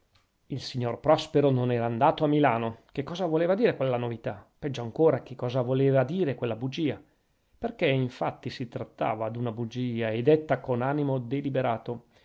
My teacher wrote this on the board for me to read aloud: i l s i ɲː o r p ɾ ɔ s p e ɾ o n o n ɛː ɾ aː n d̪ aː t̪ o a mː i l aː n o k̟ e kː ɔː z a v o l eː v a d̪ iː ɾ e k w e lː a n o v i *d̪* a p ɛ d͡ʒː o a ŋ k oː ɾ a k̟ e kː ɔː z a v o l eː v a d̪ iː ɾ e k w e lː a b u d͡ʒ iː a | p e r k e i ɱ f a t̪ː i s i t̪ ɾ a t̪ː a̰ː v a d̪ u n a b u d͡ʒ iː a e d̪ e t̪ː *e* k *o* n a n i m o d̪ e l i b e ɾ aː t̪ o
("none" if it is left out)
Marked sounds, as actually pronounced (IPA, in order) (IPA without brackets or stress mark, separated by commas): t̪, a, o